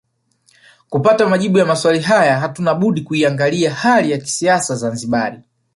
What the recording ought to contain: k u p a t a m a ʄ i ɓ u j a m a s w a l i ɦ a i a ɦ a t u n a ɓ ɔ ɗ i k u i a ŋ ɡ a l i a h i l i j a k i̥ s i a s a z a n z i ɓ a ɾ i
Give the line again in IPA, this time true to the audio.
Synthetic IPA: k u p a t a m a ʄ i ɓ u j a m a s w a l i ɦ a j a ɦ a t u n a ɓ u ɗ i k u i a ŋ ɡ a l i a h a l i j a k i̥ s i a s a z a n z i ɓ a ɾ i